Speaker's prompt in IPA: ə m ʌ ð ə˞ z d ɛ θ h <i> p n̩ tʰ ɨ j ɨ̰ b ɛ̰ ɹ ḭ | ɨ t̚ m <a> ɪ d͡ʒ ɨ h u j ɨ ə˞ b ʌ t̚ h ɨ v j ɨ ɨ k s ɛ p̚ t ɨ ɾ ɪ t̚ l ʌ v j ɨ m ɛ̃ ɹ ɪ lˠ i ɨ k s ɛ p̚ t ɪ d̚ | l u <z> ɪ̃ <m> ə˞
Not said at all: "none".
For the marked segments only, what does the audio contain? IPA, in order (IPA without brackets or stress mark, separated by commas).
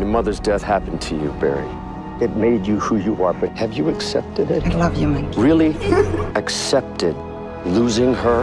æ, e, z, ŋ